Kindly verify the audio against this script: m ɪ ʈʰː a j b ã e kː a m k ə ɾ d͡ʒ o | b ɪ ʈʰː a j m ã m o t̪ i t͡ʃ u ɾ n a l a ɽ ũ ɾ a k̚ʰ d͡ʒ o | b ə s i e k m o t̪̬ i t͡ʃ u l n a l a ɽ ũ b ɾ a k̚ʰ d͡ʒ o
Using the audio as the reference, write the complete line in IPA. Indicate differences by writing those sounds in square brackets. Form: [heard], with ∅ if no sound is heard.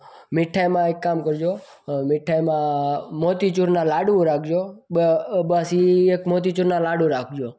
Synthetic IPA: m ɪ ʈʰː a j [m] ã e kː a m k ə ɾ d͡ʒ o | [m] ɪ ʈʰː a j m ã m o t̪ i t͡ʃ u ɾ n a l a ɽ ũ ɾ a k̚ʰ d͡ʒ o | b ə s i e k m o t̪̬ i t͡ʃ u [ɾ] n a l a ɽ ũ [∅] ɾ a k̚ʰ d͡ʒ o